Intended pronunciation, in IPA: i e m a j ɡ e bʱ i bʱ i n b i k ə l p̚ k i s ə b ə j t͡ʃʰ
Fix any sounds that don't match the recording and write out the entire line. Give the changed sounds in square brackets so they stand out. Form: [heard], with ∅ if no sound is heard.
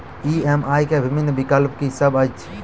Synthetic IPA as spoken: i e m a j [k] e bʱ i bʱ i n b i k ə l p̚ k i s ə b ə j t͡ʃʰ